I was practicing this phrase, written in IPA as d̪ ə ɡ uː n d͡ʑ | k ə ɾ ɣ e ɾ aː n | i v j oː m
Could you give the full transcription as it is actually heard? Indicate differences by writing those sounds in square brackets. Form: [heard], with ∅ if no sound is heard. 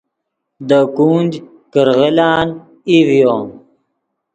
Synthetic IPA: d̪ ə [k] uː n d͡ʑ | k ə ɾ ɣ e [l] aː n | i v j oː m

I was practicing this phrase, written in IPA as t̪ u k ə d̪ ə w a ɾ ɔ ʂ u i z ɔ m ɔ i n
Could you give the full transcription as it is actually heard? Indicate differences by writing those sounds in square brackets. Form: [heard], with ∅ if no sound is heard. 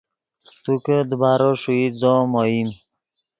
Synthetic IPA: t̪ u k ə d̪ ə [b] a ɾ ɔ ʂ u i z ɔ m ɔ i [m]

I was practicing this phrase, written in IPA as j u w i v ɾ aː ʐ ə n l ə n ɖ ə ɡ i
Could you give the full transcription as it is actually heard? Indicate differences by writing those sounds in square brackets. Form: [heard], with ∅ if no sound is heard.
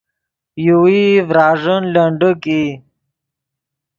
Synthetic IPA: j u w i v ɾ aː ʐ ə n l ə [ɳ] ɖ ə [k] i

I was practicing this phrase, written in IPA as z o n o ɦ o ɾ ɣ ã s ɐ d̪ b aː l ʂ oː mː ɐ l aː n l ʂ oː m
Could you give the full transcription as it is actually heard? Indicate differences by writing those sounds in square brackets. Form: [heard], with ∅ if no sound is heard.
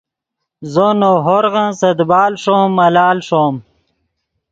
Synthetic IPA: z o n o ɦ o ɾ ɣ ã s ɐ d̪ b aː l ʂ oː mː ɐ l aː [∅] l ʂ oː m

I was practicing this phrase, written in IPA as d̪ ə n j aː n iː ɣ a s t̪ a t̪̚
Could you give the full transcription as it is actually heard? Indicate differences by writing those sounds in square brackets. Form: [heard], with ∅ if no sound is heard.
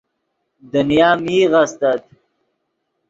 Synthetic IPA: d̪ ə n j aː [m] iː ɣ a s t̪ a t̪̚

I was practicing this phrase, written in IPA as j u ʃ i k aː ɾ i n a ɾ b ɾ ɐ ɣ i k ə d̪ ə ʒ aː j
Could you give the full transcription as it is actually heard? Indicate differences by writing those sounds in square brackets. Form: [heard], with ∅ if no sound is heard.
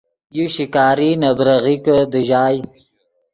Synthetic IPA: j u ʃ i k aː ɾ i n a [∅] b ɾ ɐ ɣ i k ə d̪ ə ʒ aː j

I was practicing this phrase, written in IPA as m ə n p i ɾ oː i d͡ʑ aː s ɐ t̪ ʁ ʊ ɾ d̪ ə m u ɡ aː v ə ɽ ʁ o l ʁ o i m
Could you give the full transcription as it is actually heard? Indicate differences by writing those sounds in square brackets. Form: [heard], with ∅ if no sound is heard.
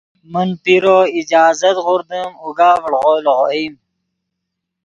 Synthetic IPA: m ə n p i ɾ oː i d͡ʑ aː [z] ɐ t̪ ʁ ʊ ɾ d̪ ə m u ɡ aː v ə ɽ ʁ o l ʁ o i m

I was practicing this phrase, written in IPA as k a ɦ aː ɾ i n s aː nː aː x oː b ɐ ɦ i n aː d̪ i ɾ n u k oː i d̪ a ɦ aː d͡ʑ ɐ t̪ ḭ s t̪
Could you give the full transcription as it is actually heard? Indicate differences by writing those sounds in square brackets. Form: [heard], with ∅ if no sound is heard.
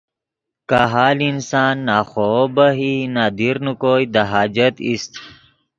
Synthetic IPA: k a ɦ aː [l] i n s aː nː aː x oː b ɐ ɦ i n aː d̪ i ɾ n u k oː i d̪ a ɦ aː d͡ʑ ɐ t̪ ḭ s t̪

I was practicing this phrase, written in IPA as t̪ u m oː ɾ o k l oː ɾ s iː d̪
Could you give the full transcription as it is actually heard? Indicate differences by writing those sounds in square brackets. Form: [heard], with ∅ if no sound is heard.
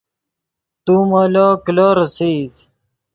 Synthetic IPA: t̪ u m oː [l] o k l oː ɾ s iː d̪

